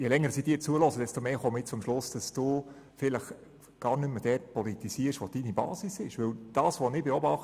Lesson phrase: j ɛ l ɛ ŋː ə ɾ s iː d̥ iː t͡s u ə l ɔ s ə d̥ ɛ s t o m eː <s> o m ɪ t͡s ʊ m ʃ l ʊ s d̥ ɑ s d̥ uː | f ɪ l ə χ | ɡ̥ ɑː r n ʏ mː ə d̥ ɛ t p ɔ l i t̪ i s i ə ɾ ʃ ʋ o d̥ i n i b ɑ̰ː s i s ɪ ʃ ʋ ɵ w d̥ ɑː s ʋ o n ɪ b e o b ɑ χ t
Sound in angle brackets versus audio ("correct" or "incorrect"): incorrect